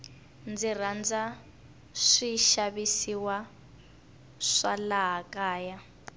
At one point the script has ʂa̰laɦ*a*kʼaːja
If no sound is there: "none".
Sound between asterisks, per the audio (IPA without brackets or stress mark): a